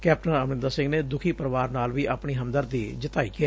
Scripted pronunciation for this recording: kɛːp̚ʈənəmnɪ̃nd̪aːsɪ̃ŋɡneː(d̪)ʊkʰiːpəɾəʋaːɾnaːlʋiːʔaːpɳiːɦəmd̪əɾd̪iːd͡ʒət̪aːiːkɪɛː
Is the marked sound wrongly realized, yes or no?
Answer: no